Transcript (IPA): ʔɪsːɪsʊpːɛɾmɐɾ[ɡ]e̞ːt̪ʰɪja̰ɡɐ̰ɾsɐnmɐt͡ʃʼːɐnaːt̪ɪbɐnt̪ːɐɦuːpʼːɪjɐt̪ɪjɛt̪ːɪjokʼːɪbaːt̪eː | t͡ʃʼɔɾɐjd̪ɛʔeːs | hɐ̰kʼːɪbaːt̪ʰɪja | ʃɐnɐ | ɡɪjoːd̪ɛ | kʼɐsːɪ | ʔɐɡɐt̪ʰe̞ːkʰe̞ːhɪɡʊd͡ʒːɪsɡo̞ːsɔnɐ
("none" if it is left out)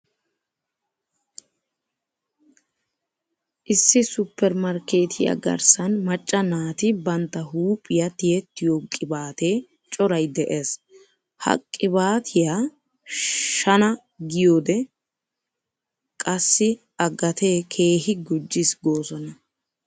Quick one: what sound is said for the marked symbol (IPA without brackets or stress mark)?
k